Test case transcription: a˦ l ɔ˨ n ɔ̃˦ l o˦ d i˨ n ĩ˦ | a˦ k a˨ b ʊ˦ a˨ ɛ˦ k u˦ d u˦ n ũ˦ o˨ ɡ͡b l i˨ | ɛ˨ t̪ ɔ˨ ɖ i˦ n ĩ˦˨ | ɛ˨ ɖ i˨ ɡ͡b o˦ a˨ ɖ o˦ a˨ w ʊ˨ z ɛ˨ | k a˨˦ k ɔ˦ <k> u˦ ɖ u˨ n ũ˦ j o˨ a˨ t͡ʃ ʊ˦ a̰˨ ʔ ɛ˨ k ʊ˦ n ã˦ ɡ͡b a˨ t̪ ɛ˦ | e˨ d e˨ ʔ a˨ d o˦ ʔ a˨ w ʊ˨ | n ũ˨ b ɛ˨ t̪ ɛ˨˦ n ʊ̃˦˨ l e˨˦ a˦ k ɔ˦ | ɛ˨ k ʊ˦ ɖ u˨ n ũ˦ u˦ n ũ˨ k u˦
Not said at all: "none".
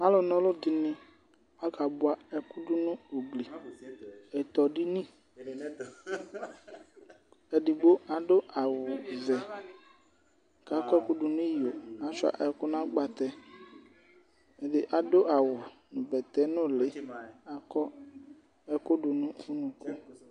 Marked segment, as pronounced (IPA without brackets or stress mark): k